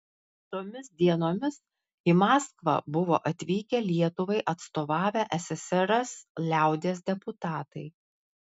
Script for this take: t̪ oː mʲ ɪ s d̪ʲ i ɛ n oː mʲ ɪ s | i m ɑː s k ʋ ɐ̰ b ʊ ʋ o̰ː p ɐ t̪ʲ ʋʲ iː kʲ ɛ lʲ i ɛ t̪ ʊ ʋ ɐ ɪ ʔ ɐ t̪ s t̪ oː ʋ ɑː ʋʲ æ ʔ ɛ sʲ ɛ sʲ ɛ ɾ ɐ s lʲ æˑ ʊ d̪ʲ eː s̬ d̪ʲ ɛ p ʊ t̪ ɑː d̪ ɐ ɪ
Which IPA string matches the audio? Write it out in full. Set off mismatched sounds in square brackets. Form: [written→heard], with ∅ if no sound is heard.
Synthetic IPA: t̪ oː mʲ ɪ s d̪ʲ i ɛ n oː mʲ ɪ s | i m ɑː s k ʋ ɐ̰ b ʊ ʋ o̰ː [p→ʔ] ɐ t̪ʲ ʋʲ iː kʲ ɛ lʲ i ɛ t̪ ʊ ʋ ɐ ɪ ʔ ɐ t̪ s t̪ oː ʋ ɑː ʋʲ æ ʔ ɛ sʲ ɛ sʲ ɛ ɾ ɐ s lʲ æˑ ʊ d̪ʲ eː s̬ d̪ʲ ɛ p ʊ t̪ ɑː [d̪→t̪] ɐ ɪ

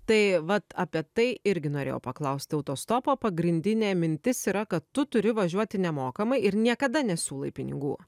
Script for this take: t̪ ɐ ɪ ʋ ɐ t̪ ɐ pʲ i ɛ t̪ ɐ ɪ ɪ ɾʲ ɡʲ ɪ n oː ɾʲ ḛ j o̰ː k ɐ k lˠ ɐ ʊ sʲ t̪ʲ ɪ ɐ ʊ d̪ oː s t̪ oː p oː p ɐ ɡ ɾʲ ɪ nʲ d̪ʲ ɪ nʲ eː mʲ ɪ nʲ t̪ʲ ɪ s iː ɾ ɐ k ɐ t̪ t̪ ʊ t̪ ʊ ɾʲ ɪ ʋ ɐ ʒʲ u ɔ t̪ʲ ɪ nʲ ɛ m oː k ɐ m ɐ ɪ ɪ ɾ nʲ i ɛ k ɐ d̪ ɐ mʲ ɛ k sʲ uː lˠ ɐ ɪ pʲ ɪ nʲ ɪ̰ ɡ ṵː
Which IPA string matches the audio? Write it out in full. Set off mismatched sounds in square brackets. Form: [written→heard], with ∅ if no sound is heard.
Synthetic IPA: t̪ ɐ ɪ ʋ ɐ t̪ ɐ pʲ i ɛ t̪ ɐ ɪ ɪ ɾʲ ɡʲ ɪ n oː ɾʲ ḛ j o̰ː [k→p] ɐ k lˠ ɐ ʊ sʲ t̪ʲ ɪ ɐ ʊ [d̪→t̪] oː s t̪ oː p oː p ɐ ɡ ɾʲ ɪ nʲ d̪ʲ ɪ nʲ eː mʲ ɪ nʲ t̪ʲ ɪ s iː ɾ ɐ k ɐ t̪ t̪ ʊ t̪ ʊ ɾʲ ɪ ʋ ɐ ʒʲ u ɔ t̪ʲ ɪ nʲ ɛ m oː k ɐ m ɐ ɪ ɪ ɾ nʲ i ɛ k ɐ d̪ ɐ [mʲ→nʲ] ɛ [k→∅] sʲ uː lˠ ɐ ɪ pʲ ɪ nʲ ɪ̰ ɡ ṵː

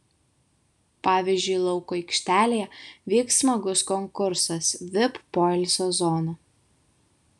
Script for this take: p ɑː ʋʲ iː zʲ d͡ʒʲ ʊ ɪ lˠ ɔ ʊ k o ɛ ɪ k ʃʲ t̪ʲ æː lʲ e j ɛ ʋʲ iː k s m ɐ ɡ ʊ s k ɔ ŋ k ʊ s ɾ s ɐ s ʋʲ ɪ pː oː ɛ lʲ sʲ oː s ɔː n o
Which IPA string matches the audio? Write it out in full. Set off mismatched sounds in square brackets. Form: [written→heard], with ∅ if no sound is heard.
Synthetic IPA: p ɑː ʋʲ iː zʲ d͡ʒʲ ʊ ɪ lˠ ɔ ʊ k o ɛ ɪ k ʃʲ t̪ʲ æː lʲ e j ɛ ʋʲ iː k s m ɐ ɡ ʊ s k ɔ ŋ k ʊ [s→∅] ɾ s ɐ s ʋʲ ɪ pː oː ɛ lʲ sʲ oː [s→z] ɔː n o

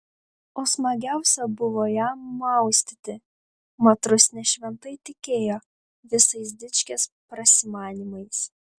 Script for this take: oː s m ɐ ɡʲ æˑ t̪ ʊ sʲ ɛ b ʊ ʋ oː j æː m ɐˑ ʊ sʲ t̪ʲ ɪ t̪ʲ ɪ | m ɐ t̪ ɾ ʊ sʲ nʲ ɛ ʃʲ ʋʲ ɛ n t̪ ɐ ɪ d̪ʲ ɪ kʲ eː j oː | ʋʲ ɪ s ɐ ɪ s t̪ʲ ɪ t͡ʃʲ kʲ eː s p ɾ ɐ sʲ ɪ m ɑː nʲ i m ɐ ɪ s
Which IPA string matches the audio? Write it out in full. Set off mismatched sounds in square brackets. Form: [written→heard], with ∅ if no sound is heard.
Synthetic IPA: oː s m ɐ ɡʲ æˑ [t̪→∅] ʊ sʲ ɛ b ʊ ʋ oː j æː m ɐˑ ʊ sʲ t̪ʲ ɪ t̪ʲ ɪ | m ɐ t̪ ɾ ʊ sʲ nʲ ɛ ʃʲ ʋʲ ɛ n t̪ ɐ ɪ [d̪ʲ→t̪ʲ] ɪ kʲ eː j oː | ʋʲ ɪ s ɐ ɪ s [t̪ʲ→d̪ʲ] ɪ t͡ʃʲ kʲ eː s p ɾ ɐ sʲ ɪ m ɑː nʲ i m ɐ ɪ s

